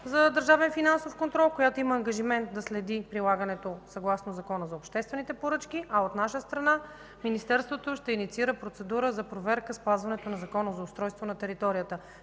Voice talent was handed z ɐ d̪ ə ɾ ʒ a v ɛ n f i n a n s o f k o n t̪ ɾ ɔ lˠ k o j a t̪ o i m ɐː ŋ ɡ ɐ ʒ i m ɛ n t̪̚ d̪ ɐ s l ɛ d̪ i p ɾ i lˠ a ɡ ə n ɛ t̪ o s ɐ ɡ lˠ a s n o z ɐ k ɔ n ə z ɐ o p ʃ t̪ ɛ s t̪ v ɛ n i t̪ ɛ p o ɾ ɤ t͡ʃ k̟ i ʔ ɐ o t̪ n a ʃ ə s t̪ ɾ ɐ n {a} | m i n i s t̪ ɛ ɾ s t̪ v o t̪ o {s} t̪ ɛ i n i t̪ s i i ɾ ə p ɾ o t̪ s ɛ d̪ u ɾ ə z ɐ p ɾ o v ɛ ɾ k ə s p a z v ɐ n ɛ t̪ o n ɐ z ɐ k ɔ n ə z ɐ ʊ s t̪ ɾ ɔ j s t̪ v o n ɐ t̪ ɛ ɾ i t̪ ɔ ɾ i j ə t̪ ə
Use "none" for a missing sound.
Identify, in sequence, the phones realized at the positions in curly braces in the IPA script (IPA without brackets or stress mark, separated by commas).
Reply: a, ʃ